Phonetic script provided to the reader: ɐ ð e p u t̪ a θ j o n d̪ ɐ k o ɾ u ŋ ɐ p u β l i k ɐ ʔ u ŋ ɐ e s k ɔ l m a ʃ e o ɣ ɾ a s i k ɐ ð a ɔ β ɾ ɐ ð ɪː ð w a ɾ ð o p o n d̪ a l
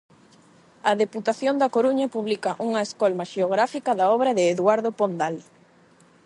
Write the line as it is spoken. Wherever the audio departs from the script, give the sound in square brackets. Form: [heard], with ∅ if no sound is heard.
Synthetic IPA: ɐ ð e p u t̪ a θ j o n d̪ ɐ k o ɾ u [ɲ] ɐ p u β l i k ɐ ʔ u ŋ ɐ e s k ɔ l m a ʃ e o ɣ ɾ a [f] i k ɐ ð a ɔ β ɾ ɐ ð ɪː ð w a ɾ ð o p o n d̪ a l